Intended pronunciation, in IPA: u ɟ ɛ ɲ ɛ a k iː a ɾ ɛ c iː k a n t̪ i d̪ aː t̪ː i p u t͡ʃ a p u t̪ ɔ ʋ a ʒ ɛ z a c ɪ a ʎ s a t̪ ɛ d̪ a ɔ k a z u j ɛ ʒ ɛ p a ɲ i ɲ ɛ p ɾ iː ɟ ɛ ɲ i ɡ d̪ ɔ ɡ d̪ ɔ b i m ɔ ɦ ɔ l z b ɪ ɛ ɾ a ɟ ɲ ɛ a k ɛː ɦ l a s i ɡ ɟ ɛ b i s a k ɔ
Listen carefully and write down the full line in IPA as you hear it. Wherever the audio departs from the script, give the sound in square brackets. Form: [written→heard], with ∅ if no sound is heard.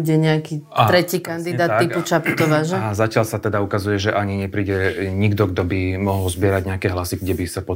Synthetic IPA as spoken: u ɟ ɛ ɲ ɛ a k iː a ɾ ɛ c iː k a n [t̪→d̪] i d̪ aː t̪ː i p u t͡ʃ a p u t̪ ɔ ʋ a ʒ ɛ z a c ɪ a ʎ s a t̪ ɛ d̪ a [ɔ→u] k a z u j ɛ ʒ ɛ [p→ʔ] a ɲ i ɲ ɛ p ɾ iː ɟ ɛ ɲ i ɡ d̪ ɔ ɡ d̪ ɔ b i m ɔ ɦ ɔ l z b ɪ ɛ ɾ a ɟ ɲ ɛ a k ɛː ɦ l a s i ɡ ɟ ɛ b i s a [k→p] ɔ